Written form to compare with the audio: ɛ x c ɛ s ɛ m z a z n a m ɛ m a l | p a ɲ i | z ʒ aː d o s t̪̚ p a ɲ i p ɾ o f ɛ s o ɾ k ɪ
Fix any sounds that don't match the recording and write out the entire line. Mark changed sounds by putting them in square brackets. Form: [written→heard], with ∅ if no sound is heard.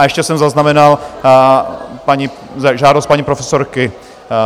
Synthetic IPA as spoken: ɛ [x→ʃ] c ɛ s ɛ m z a z n a m ɛ [m→n] a l | p a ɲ i | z ʒ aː d o s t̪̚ p a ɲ i p ɾ o f ɛ s o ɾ k ɪ